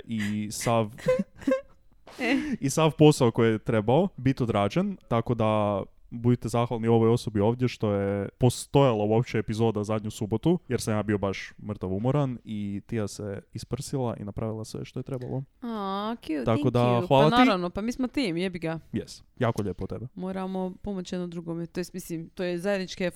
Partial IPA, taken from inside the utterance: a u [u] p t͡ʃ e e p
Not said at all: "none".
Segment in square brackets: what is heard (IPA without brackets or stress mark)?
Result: o